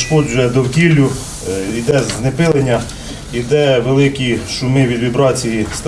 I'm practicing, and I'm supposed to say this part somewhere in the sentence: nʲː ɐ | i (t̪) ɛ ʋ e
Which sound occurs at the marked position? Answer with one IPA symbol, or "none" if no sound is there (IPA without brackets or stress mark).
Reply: d̪